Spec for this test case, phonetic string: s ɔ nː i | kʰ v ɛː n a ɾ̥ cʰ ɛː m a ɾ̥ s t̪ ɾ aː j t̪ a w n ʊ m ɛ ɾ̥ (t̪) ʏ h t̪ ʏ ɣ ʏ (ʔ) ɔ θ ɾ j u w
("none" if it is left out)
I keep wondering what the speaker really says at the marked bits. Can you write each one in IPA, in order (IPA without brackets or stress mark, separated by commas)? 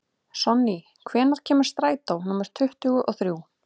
t̪ʰ, ʔ